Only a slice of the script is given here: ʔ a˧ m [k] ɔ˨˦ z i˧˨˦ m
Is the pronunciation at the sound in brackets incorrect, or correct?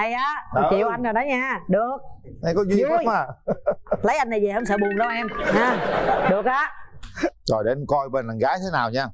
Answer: correct